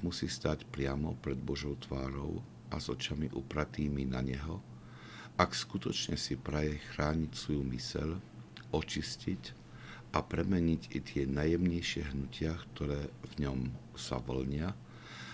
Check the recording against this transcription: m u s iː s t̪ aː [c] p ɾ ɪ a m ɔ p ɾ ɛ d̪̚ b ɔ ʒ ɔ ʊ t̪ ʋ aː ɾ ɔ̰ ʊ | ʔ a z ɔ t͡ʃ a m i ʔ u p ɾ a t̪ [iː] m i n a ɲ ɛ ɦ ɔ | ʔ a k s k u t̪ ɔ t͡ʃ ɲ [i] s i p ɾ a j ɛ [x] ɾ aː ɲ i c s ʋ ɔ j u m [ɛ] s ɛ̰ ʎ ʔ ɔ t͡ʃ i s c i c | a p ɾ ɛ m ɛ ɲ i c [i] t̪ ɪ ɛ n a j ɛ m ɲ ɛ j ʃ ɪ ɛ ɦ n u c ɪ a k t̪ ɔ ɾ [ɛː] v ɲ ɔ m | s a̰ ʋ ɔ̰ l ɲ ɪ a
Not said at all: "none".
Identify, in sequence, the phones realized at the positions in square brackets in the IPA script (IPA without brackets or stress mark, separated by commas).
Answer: c, iː, ɛ, x, i, i, ɛː